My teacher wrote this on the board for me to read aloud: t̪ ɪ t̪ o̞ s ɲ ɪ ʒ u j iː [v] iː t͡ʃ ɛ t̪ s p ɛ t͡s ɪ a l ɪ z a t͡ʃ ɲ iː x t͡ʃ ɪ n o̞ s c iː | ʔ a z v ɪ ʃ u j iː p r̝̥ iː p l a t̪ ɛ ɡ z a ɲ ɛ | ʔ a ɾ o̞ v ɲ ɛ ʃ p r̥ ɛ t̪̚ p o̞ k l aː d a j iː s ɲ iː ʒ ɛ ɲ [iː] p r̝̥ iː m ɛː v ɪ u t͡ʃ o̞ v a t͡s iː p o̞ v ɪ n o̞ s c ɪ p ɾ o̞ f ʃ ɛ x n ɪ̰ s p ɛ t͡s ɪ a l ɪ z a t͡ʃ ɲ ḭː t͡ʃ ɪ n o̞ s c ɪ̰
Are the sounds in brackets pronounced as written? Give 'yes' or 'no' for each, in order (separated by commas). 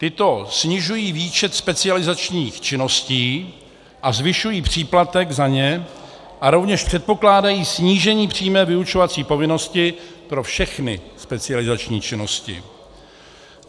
yes, yes